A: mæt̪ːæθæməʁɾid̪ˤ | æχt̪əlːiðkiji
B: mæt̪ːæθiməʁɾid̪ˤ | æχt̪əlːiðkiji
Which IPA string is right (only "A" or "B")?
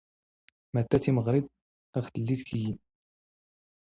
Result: B